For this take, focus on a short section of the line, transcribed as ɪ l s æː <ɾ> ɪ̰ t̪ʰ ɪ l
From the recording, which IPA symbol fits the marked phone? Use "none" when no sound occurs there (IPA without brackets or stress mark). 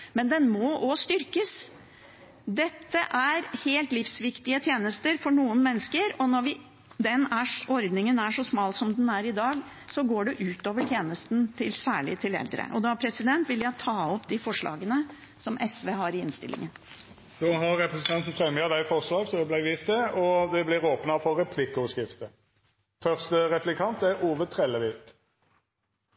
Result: ɭ